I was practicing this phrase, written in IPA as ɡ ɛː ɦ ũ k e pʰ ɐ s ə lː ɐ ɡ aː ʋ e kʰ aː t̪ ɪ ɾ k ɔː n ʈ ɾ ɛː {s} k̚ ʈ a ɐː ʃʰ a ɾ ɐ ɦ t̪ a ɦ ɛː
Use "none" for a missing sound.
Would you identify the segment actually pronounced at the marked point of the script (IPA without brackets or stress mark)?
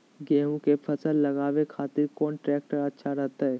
none